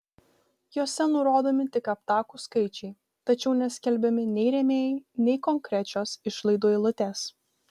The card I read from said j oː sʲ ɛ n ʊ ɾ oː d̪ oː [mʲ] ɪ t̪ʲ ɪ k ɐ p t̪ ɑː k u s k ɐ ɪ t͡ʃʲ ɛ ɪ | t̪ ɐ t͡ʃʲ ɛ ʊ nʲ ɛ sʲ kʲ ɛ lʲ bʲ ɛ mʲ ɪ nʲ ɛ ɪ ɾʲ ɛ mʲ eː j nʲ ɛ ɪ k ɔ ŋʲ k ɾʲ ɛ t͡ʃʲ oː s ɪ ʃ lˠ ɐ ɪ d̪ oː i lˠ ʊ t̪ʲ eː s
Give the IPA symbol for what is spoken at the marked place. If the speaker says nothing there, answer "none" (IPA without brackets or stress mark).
mʲ